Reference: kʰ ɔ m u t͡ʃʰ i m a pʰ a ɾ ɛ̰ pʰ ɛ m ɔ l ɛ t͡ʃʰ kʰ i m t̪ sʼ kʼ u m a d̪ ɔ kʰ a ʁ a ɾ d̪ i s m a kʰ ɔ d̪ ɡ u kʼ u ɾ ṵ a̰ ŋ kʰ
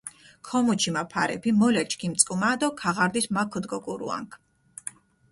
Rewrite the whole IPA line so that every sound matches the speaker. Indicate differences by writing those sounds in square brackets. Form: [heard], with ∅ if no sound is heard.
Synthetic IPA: kʰ ɔ m u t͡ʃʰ i m a pʰ a ɾ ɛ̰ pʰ [i] m ɔ l ɛ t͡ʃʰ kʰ i m t̪ sʼ kʼ u m a d̪ ɔ kʰ a ʁ a ɾ d̪ i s m a kʰ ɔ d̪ ɡ [ɔ] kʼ u ɾ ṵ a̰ ŋ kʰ